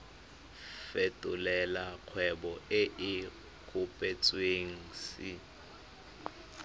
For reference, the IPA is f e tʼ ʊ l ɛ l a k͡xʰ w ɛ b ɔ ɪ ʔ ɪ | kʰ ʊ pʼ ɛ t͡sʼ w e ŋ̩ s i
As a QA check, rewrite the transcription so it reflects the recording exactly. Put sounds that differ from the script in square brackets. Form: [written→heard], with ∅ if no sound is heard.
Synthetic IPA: f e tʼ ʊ l ɛ l a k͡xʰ w ɛ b ɔ ɪ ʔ ɪ | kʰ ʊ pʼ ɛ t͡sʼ w e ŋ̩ s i